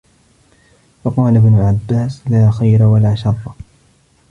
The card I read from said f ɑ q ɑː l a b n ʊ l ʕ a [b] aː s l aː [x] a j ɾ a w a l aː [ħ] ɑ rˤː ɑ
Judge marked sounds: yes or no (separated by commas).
no, yes, no